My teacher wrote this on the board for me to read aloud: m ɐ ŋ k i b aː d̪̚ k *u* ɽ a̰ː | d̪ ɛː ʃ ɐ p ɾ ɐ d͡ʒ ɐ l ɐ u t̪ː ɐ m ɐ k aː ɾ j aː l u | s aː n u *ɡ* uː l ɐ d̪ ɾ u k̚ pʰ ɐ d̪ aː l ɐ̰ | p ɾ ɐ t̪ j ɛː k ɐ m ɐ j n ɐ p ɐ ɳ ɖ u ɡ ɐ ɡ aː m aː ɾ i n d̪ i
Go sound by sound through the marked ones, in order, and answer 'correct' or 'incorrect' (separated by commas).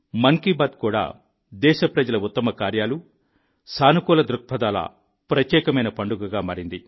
incorrect, incorrect